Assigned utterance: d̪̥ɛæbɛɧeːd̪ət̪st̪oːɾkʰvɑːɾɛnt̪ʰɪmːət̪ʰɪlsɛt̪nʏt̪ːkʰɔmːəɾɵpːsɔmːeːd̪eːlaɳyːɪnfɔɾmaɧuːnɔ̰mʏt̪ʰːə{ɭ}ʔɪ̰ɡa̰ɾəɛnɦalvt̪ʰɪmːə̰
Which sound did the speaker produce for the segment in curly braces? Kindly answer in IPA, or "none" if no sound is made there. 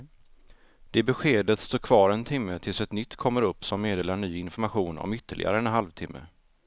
ɭ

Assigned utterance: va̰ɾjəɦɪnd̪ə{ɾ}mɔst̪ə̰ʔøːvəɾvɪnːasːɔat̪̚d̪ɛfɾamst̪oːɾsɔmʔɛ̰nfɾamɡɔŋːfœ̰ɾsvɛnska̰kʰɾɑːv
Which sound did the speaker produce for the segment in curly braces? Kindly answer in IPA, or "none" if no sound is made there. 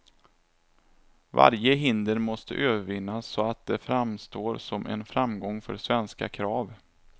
ɾ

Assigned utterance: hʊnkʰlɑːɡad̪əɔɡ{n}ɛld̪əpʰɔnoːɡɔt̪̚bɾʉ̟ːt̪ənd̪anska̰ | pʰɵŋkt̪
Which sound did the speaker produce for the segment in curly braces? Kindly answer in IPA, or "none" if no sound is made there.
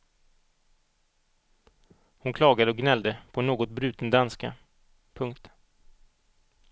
n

